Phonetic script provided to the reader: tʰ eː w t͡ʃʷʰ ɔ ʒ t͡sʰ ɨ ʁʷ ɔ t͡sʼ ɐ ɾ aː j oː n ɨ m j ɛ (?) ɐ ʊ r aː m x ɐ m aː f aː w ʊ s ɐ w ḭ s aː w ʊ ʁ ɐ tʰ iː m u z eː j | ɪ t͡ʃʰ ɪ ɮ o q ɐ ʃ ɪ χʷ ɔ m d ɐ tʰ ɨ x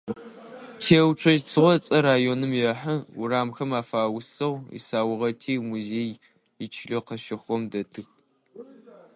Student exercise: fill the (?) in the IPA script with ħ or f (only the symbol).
ħ